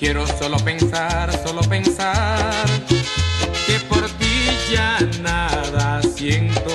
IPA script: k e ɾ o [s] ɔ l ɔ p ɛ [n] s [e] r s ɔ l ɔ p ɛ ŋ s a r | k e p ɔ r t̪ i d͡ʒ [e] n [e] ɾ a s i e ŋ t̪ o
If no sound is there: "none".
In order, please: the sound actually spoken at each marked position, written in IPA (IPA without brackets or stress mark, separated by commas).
s, ŋ, a, a, a